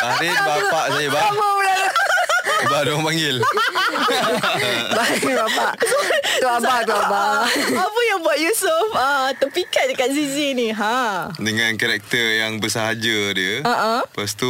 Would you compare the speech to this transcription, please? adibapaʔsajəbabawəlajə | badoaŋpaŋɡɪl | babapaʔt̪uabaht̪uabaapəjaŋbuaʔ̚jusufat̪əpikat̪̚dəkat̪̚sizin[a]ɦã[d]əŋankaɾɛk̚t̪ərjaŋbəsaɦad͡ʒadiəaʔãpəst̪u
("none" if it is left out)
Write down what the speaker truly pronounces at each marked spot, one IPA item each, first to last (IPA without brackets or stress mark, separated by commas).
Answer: i, d